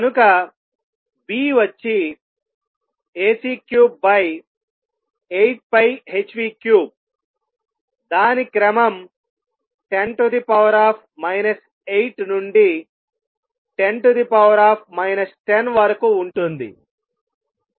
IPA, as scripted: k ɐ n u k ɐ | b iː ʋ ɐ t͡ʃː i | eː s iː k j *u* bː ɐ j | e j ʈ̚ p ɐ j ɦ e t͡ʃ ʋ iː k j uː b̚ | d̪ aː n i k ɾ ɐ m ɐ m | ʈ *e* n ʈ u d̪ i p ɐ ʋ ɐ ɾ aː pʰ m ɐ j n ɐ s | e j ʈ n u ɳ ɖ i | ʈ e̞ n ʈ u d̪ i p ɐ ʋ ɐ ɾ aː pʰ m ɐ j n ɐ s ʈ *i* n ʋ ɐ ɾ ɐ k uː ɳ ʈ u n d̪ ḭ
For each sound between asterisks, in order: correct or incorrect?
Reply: incorrect, correct, incorrect

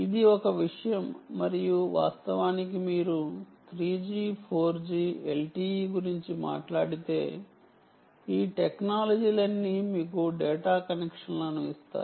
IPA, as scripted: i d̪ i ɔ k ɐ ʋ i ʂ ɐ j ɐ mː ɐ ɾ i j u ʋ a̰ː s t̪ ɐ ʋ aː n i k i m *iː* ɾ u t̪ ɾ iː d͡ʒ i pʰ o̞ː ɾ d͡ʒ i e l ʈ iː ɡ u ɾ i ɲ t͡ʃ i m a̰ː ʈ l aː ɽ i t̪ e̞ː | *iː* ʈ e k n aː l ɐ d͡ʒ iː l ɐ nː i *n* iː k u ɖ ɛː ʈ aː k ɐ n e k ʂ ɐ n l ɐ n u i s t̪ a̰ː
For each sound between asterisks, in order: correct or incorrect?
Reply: correct, correct, incorrect

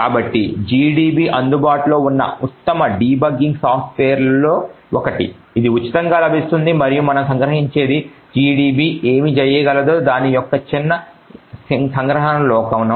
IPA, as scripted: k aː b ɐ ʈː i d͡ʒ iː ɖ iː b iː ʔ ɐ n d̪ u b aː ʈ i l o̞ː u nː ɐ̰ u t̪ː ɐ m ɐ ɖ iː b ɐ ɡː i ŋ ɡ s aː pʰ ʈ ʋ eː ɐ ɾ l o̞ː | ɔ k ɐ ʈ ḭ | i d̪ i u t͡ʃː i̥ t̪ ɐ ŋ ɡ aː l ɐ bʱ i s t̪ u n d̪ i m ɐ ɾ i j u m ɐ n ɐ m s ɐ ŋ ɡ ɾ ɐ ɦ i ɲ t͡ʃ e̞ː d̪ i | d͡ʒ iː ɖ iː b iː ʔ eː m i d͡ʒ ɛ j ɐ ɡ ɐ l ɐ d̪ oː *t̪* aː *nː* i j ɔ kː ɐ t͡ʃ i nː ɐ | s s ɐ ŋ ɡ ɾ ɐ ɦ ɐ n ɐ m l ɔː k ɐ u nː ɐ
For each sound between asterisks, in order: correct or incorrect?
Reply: incorrect, incorrect

